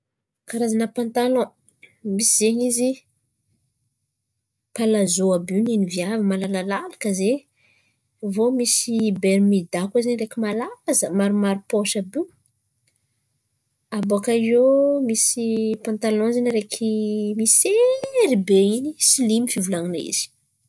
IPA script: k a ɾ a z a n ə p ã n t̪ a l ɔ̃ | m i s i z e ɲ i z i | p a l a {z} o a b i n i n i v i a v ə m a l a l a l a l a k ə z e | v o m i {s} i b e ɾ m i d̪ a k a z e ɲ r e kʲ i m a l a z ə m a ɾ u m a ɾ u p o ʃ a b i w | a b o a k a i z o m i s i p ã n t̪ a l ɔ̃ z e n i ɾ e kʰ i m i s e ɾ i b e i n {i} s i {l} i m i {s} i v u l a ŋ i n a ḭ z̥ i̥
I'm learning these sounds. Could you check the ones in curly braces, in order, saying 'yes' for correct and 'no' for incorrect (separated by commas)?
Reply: yes, yes, yes, yes, no